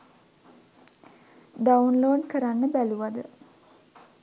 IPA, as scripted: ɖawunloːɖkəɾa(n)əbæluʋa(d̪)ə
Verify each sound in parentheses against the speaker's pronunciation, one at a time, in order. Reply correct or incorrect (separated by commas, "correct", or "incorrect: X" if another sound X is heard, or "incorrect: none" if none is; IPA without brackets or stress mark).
incorrect: nː, correct